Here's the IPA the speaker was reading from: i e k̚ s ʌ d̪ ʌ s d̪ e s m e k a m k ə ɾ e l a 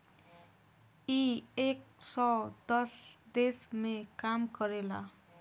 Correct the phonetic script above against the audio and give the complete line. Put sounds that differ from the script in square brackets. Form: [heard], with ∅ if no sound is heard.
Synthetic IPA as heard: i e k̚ s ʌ d̪ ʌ s d̪ e s m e k a m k [ʌ] ɾ e l a

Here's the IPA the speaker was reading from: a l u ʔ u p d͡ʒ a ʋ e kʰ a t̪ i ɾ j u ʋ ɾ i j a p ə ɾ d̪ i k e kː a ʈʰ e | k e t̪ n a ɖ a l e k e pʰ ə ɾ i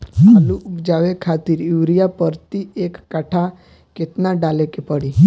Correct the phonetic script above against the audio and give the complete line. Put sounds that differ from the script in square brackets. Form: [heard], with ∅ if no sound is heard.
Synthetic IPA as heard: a l u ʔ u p d͡ʒ a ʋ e kʰ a t̪ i ɾ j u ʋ ɾ i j a p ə ɾ [t̪] i [∅] e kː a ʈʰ [a] | k e t̪ n a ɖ a l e k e [p] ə [ɽ] i

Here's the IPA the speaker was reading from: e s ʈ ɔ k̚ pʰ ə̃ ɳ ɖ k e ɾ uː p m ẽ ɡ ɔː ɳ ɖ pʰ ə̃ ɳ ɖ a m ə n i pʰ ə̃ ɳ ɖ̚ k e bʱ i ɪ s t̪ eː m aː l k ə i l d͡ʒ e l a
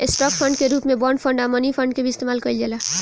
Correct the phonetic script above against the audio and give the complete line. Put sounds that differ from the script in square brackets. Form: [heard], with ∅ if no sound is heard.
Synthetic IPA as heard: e s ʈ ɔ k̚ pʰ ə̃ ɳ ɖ k e ɾ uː p m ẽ [b] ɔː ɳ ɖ pʰ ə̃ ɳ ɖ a m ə n i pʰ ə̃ ɳ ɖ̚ k e bʱ i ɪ s t̪ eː m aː l k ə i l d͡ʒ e l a

